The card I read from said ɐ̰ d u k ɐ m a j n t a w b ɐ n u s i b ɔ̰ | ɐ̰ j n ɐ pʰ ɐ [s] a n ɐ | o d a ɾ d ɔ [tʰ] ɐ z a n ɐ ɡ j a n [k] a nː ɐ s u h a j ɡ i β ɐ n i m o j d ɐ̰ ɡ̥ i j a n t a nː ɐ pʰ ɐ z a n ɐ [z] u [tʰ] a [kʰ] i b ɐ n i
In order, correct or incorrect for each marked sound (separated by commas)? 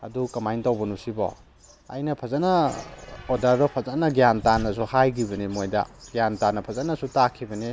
incorrect, incorrect, incorrect, incorrect, incorrect, correct